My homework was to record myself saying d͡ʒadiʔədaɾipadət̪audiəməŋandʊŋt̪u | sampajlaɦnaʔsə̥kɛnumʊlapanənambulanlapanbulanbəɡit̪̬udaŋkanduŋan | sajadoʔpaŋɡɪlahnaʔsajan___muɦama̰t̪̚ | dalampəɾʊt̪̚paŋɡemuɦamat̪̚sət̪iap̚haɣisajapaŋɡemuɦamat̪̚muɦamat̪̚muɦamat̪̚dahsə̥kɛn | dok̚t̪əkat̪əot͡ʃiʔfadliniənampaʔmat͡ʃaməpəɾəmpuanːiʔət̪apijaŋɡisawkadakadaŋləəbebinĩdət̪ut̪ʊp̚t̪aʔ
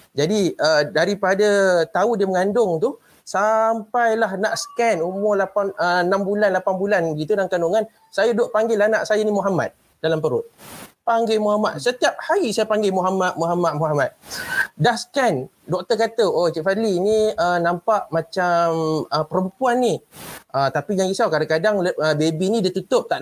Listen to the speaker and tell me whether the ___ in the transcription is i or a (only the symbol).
i